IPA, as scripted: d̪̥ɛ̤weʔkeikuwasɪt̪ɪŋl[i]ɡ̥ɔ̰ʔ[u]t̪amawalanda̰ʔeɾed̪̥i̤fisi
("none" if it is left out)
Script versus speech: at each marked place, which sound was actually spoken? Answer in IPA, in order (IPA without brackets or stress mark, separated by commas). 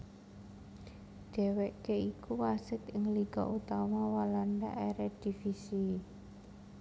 i, u